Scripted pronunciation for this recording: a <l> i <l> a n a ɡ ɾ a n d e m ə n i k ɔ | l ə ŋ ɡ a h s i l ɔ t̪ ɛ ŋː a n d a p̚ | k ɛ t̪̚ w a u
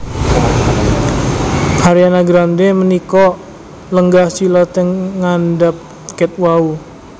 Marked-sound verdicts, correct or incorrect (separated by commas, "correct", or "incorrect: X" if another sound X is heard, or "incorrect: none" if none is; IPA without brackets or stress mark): incorrect: ɾ, incorrect: none